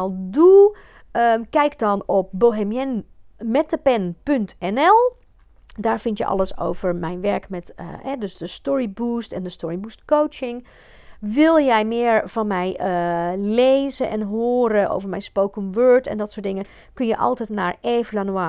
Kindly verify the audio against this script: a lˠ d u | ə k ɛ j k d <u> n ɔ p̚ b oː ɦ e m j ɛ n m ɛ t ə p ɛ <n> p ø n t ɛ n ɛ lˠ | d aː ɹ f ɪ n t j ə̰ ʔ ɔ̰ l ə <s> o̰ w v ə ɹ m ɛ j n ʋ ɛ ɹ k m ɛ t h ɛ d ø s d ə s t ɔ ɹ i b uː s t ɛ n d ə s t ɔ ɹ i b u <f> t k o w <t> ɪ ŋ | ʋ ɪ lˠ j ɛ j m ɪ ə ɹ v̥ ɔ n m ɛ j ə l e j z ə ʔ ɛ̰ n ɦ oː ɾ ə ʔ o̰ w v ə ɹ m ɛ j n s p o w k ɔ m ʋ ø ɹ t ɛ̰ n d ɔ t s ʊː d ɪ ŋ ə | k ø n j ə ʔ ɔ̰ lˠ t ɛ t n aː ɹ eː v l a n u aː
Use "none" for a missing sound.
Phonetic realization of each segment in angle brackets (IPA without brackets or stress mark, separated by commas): ɔ, n, s, s, t͡ʃ